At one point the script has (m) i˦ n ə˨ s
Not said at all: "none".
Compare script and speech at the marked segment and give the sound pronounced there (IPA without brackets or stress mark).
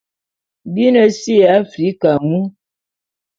b